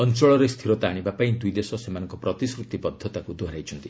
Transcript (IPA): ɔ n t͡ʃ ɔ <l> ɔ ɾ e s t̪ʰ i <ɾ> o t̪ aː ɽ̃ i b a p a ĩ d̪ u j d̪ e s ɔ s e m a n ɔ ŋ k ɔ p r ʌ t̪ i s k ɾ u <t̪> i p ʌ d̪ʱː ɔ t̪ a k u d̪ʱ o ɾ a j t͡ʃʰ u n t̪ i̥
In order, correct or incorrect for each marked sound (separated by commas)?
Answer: incorrect, correct, correct